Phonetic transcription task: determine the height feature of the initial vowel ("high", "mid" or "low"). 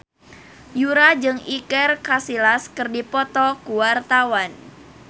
high